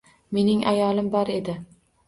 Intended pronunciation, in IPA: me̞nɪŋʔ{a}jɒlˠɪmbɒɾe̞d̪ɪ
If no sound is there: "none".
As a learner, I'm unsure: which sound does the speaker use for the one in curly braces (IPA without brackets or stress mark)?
a